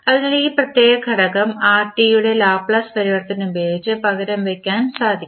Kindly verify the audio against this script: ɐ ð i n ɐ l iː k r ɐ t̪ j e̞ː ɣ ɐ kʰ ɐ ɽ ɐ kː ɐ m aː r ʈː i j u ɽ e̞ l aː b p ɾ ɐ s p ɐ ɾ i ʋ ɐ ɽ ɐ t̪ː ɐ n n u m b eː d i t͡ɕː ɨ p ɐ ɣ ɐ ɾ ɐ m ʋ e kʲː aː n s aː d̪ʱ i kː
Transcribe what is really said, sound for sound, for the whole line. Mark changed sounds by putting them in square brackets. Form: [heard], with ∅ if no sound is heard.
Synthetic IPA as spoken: ɐ ð i n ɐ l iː [p] r ɐ t̪ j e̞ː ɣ ɐ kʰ ɐ ɽ ɐ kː ɐ m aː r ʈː i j u ɽ e̞ l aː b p [ɭ] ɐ s p ɐ ɾ i ʋ ɐ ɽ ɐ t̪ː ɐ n n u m b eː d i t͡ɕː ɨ p ɐ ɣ ɐ ɾ ɐ m ʋ e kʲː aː n s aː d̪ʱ i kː